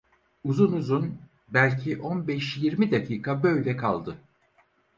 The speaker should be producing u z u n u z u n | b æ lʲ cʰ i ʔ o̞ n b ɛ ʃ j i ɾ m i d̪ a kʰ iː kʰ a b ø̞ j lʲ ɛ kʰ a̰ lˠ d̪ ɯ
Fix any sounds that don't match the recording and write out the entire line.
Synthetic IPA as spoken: u z u n u z u n | b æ lʲ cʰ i ʔ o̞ n b ɛ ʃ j i ɾ m i d̪ a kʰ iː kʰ a b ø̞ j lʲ ɛ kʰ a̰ lˠ d̪ ɯ